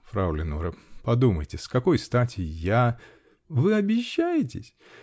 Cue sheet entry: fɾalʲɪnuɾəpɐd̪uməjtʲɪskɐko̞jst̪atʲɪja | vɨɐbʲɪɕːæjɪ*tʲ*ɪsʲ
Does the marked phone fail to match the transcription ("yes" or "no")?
no